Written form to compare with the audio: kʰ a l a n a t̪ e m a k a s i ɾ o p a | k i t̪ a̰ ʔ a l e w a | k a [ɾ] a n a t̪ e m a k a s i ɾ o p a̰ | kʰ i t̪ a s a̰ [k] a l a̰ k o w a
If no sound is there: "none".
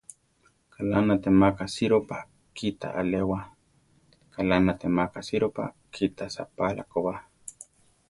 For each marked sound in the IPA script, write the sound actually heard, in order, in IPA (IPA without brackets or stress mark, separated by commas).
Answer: l, p